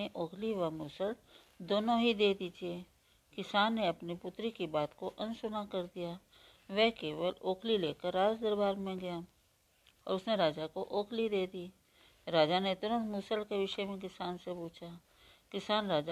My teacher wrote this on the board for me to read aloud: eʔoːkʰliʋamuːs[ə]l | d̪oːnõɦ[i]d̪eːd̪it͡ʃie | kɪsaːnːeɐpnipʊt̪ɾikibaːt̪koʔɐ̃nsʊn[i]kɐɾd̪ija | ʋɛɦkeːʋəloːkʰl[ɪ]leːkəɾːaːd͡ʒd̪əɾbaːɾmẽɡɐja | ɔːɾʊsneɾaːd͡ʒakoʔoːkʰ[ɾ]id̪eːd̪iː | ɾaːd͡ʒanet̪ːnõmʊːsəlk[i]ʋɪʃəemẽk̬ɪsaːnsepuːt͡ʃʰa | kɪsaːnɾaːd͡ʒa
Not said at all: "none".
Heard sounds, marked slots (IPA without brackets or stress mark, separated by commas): ə, i, a, i, l, e